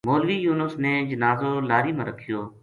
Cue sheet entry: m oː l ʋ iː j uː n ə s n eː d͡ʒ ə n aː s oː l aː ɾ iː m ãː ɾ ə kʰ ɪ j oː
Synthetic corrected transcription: m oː l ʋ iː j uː n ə s n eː d͡ʒ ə n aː z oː l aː ɾ iː m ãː ɾ ə kʰ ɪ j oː